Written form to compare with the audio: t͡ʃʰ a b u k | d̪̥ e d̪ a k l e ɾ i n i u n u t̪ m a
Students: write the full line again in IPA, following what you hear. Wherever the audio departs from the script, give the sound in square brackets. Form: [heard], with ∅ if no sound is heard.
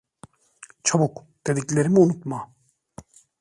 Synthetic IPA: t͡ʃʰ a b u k | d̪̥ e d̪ [i] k l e ɾ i [m] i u n u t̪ m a